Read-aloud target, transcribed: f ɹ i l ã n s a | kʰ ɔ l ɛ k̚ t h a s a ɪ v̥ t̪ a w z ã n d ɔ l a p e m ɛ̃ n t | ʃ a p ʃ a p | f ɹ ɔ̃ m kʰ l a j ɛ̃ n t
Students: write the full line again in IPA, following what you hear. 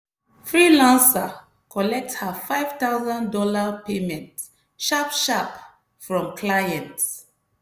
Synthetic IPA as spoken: f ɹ i l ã n s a | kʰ ɔ l ɛ k̚ t h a f a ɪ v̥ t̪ a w z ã n d ɔ l a p e m ɛ̃ n t | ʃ a p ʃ a p | f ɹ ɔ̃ m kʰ l a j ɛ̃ n t

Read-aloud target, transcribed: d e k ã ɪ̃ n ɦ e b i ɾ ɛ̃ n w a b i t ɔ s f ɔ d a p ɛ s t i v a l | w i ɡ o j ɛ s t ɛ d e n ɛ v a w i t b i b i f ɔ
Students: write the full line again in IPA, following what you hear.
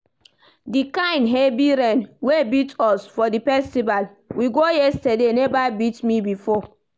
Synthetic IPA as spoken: d i k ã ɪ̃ n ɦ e b i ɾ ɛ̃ n w e b i t ɔ s f ɔ d i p ɛ s t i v a l | w i ɡ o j ɛ s t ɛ d e n ɛ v a b i t m i b i f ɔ

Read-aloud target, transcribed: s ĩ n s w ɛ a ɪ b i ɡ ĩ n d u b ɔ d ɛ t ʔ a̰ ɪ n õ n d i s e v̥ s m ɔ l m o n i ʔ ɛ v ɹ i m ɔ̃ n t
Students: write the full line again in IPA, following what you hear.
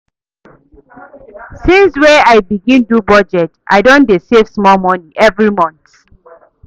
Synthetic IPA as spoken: s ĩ n s w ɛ a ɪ b i ɡ ĩ n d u b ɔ d͡ʒ ɛ t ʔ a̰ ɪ d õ n d e s e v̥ s m ɔ l m ɔ n i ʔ ɛ v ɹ i m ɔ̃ n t

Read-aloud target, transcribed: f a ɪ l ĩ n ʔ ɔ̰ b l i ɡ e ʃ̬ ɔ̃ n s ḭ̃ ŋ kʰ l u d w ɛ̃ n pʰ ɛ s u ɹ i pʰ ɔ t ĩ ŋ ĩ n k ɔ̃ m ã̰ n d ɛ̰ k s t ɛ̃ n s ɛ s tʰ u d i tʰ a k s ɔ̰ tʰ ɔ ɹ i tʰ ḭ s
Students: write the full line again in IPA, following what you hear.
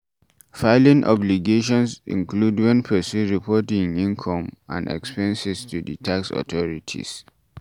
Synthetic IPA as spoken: f a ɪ l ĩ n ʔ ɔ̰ b l i ɡ e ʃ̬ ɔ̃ n s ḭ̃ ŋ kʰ l u d w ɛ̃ n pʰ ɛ s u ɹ i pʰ ɔ t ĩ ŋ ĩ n kʰ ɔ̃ m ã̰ n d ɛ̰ k s p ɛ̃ n s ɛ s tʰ u d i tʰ a k s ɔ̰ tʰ ɔ ɹ i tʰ ḭ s

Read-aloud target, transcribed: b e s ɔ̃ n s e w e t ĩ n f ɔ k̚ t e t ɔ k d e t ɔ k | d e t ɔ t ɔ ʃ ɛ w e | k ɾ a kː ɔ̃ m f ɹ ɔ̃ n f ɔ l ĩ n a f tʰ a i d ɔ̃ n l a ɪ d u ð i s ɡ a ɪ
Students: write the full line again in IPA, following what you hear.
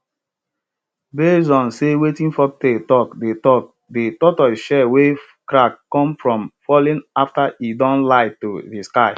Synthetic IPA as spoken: b e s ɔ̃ n s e w e t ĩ n f ɔ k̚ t e t ɔ k d e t ɔ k | d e t ɔ t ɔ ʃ ɛ w e | k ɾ a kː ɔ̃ m f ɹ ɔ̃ m f ɔ l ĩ n a f t a i d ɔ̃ n l a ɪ t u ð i s k a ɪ

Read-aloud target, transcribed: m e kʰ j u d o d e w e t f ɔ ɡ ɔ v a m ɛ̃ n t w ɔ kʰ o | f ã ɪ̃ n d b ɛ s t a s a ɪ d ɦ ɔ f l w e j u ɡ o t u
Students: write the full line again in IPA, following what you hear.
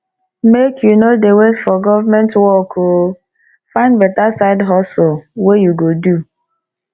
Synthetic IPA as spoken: m e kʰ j u n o d e w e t f ɔ ɡ ɔ v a m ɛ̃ n t w ɔ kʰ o | f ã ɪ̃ n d b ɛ t a s a ɪ d ɦ ɔ s l w e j u ɡ o d u

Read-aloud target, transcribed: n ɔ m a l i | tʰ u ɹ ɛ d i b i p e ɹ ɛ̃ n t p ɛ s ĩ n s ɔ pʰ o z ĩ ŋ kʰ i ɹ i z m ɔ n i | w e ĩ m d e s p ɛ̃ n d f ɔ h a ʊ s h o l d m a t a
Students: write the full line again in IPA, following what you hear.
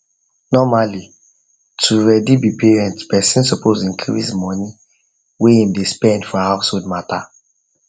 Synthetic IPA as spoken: n ɔ m a l i | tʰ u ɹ ɛ d i b i p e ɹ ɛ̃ n t p ɛ s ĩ n s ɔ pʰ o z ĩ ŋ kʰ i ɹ i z m ɔ n i | w e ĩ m d e s p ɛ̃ n d f ɔ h a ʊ s h o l d m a t a

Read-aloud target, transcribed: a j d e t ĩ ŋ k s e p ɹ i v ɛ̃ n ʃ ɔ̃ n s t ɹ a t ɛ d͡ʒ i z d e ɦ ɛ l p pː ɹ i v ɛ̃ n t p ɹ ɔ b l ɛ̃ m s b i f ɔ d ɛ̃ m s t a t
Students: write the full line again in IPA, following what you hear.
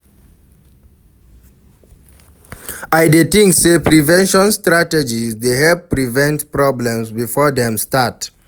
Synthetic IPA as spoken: a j d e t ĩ ŋ k s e p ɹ i v ɛ̃ n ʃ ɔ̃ n s t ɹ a t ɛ d͡ʒ i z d e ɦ ɛ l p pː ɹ i v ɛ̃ n t p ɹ ɔ b l ɛ̃ m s b i f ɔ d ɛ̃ m s t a t

